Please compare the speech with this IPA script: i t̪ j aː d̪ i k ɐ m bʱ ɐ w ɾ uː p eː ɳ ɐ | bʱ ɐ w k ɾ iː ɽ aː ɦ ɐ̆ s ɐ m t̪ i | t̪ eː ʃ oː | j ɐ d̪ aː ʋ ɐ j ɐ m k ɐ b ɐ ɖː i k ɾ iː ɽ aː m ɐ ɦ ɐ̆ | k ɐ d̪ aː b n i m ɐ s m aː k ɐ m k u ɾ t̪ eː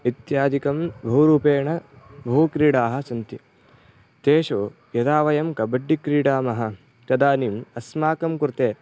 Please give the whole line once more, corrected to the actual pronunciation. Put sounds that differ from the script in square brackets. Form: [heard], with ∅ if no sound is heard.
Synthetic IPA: i t̪ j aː d̪ i k ɐ m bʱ ɐ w ɾ uː p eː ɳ ɐ | bʱ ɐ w k ɾ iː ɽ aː ɦ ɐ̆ s ɐ [n] t̪ i | t̪ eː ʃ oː | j ɐ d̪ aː ʋ ɐ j ɐ m k ɐ b ɐ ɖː i k ɾ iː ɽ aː m ɐ ɦ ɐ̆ | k ɐ d̪ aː [∅] n i m ɐ s m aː k ɐ m k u ɾ t̪ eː

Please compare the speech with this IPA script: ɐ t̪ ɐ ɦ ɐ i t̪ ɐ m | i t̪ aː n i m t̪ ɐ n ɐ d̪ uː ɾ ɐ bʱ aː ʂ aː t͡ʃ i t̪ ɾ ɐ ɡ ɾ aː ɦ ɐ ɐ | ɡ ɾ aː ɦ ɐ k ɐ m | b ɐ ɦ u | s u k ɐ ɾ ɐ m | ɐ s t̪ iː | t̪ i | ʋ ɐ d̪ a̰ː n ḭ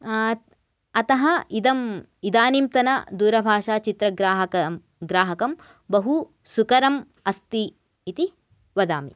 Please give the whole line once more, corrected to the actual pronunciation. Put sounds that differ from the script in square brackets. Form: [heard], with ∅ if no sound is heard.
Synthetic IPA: ɐ t̪ ɐ ɦ ɐ i [d̪] ɐ m | i [d̪] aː n i m t̪ ɐ n ɐ d̪ uː ɾ ɐ bʱ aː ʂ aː t͡ʃ i t̪ ɾ ɐ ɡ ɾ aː ɦ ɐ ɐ | ɡ ɾ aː ɦ ɐ k ɐ m | b ɐ ɦ u | s u k ɐ ɾ ɐ m | ɐ s t̪ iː | t̪ i | ʋ ɐ d̪ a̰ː [m] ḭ

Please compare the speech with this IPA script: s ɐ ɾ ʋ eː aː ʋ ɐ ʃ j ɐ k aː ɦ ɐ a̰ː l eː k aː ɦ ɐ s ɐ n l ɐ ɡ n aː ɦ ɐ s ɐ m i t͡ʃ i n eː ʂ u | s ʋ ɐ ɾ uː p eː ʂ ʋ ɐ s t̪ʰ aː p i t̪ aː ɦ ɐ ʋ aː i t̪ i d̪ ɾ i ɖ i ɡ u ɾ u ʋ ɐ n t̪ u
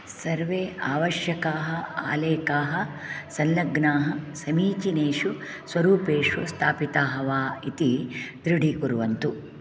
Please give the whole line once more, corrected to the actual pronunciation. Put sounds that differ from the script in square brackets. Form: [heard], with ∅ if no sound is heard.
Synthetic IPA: s ɐ ɾ ʋ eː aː ʋ ɐ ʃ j ɐ k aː ɦ ɐ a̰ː l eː k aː ɦ ɐ s ɐ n l ɐ ɡ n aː ɦ ɐ s ɐ m [iː] t͡ʃ i n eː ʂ u | s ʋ ɐ ɾ uː p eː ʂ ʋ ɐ s t̪ʰ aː p i t̪ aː ɦ ɐ ʋ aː i t̪ i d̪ ɾ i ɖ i [k] u ɾ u ʋ ɐ n t̪ u

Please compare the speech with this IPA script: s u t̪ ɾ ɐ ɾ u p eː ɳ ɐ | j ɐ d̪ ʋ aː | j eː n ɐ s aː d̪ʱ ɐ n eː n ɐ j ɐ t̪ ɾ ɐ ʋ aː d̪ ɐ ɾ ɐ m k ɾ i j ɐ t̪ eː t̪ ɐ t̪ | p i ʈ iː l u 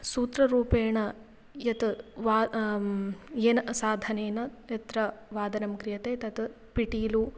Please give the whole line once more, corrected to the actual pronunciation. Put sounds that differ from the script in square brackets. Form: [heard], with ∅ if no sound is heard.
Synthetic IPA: s [uː] t̪ ɾ ɐ ɾ [uː] p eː ɳ ɐ | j ɐ [t̪] ʋ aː | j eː n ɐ s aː d̪ʱ ɐ n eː n ɐ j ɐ t̪ ɾ ɐ ʋ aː d̪ ɐ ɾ ɐ m k ɾ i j ɐ t̪ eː t̪ ɐ t̪ | p i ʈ iː l u

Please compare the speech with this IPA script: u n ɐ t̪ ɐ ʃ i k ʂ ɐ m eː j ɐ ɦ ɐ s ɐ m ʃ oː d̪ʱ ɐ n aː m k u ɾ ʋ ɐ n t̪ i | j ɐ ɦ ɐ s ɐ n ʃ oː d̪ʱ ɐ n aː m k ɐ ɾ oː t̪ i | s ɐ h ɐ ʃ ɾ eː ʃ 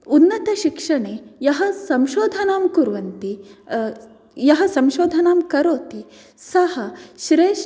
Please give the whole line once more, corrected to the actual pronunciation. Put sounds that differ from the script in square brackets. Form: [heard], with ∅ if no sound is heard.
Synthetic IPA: u [nː] ɐ t̪ ɐ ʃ i k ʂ ɐ [ɳ] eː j ɐ ɦ ɐ s ɐ m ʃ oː d̪ʱ ɐ n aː m k u ɾ ʋ ɐ n t̪ i | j ɐ ɦ ɐ s ɐ [m] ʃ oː d̪ʱ ɐ n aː m k ɐ ɾ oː t̪ i | s ɐ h ɐ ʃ ɾ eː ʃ

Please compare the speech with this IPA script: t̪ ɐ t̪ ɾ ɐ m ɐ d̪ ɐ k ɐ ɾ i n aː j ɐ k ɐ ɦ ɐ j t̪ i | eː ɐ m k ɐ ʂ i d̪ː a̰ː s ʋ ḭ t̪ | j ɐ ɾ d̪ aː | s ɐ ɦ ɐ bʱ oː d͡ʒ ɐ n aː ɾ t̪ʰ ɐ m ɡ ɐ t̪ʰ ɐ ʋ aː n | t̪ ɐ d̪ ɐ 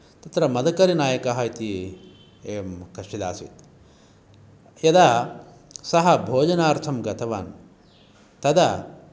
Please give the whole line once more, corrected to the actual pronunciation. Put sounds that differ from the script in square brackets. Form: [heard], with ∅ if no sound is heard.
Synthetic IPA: t̪ ɐ t̪ ɾ ɐ m ɐ d̪ ɐ k ɐ ɾ i n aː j ɐ k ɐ ɦ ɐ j t̪ i | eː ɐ m k ɐ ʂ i [d̪] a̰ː s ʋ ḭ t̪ | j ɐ [∅] d̪ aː | s ɐ ɦ ɐ bʱ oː d͡ʒ ɐ n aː ɾ t̪ʰ ɐ m ɡ ɐ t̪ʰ ɐ ʋ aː n | t̪ ɐ d̪ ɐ

